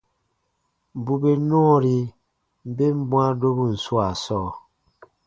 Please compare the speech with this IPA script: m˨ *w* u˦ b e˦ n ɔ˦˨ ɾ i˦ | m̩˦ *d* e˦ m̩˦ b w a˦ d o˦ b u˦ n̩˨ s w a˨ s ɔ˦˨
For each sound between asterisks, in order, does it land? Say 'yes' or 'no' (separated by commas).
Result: no, no